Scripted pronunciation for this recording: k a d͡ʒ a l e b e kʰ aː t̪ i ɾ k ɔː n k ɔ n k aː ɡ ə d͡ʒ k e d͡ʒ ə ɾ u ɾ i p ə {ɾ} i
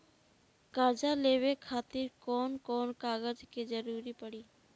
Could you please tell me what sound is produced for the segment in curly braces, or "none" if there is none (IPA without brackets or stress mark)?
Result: ɽ